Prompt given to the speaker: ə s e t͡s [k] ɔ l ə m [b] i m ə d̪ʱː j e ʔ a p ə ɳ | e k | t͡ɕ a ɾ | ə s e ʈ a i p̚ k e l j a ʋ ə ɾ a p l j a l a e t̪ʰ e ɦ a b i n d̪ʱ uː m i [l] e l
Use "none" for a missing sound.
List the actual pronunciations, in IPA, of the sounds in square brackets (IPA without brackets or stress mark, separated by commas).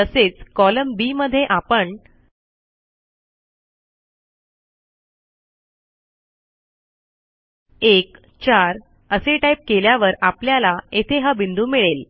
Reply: k, b, ɭ